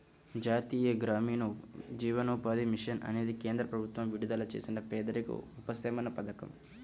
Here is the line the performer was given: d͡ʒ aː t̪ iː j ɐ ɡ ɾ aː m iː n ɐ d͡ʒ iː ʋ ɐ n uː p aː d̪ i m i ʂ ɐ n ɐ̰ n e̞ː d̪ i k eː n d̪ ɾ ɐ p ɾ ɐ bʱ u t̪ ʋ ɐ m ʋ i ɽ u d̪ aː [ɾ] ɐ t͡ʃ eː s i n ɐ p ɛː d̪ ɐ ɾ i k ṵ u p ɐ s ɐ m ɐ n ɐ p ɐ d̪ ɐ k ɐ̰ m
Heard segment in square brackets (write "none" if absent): l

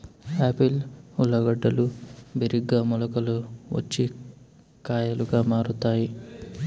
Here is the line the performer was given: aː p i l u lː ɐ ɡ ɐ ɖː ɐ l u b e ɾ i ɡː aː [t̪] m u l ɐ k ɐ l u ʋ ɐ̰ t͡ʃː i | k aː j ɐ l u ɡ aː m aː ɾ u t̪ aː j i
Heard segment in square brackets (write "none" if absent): none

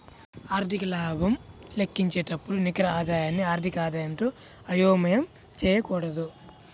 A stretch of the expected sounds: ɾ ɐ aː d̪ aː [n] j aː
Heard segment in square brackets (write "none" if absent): none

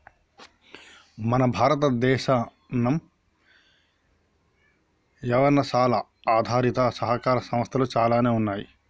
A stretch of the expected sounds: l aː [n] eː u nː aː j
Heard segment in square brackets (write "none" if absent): n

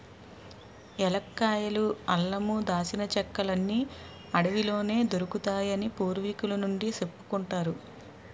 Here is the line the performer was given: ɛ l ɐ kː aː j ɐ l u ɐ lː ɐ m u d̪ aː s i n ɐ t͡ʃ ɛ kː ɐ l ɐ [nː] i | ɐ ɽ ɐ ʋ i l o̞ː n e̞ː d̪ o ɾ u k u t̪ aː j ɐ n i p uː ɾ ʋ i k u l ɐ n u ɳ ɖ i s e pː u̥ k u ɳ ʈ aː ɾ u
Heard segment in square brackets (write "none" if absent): nː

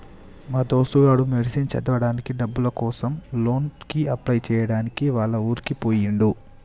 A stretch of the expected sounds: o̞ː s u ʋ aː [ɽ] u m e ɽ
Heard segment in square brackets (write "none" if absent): ɽ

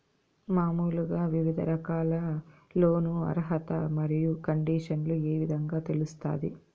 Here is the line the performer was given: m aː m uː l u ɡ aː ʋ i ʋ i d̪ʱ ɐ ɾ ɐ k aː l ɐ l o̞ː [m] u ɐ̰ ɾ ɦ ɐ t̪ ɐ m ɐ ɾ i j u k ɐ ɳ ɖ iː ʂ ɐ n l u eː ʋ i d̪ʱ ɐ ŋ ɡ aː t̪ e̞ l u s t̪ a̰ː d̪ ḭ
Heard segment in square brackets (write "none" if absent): n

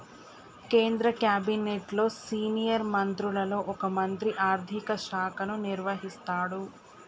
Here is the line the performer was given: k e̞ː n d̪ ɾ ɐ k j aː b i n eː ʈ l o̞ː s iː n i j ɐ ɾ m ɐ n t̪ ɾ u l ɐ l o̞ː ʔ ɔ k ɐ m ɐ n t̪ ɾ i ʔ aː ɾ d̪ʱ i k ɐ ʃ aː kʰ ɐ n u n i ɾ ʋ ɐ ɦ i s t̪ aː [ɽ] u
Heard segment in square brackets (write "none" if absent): ɽ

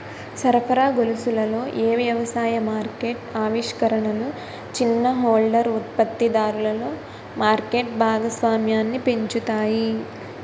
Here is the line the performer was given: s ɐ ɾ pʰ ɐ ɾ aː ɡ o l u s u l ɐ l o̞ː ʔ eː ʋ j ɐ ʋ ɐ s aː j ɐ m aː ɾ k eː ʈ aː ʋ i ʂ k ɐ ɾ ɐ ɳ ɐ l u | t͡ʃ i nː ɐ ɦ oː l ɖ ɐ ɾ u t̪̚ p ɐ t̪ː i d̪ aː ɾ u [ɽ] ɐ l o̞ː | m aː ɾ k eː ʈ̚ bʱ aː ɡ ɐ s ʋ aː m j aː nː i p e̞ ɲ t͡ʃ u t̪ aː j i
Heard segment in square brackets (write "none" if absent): l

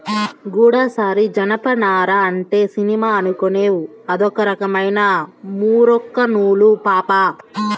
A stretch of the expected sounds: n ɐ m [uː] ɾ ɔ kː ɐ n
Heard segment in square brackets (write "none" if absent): uː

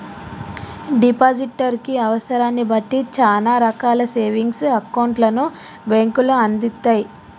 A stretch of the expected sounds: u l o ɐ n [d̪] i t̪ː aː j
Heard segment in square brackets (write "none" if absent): d̪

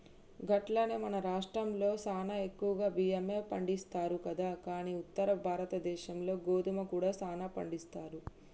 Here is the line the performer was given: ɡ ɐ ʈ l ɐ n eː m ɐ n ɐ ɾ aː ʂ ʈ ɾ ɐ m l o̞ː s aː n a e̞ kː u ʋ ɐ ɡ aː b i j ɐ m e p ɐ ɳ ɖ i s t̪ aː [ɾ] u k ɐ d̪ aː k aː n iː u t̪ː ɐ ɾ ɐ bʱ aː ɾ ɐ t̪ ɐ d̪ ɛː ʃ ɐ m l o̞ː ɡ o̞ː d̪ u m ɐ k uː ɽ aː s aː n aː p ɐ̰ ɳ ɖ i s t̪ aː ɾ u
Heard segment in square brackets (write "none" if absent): ɾ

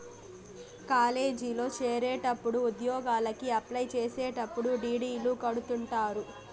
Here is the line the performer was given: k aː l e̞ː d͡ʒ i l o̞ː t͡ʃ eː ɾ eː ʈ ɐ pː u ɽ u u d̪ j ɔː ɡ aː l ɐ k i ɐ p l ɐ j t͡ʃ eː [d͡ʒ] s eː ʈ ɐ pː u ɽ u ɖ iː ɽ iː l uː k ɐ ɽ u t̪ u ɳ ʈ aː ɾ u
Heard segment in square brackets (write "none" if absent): none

